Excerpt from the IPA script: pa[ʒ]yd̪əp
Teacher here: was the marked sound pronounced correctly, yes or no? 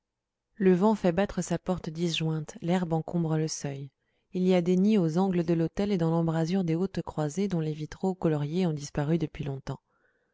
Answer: no